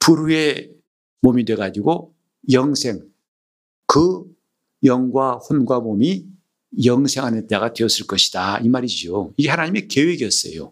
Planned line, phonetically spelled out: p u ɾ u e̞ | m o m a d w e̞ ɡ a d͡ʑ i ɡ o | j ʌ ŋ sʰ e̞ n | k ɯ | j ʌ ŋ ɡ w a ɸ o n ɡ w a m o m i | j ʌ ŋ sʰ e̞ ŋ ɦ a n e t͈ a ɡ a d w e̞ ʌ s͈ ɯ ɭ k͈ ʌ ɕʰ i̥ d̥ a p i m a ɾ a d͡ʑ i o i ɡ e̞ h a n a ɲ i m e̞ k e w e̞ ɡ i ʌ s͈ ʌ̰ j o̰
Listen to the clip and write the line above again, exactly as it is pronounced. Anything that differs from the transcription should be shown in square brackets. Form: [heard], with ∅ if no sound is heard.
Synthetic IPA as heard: p u ɾ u e̞ | m o m [i] d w e̞ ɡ a d͡ʑ i ɡ o | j ʌ ŋ sʰ e̞ [ŋ] | k ɯ | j ʌ ŋ ɡ w a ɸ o n ɡ w a m o m i | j ʌ ŋ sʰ e̞ ŋ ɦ a n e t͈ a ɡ a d w e̞ ʌ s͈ ɯ ɭ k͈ ʌ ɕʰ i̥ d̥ a [∅] i m a ɾ [i] d͡ʑ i o i ɡ e̞ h a n a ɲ i m e̞ k e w e̞ ɡ i ʌ s͈ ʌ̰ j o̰